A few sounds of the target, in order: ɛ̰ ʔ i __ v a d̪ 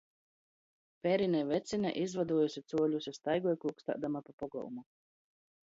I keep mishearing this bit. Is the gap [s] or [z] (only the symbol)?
z